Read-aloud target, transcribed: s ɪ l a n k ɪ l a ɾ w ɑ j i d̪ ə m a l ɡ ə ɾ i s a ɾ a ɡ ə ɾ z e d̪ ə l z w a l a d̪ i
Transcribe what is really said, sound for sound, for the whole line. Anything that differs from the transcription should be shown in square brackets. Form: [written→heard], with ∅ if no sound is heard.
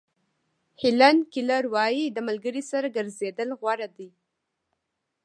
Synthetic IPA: [s→h] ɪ l a n k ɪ l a ɾ w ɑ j i d̪ ə m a l ɡ ə ɾ i s a ɾ a ɡ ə ɾ z e d̪ ə l [z→ɣ] w a [l→ɾ] a d̪ i